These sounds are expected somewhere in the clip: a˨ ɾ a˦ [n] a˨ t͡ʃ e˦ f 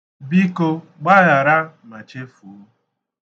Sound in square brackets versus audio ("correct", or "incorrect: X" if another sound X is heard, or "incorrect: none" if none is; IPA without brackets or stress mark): incorrect: m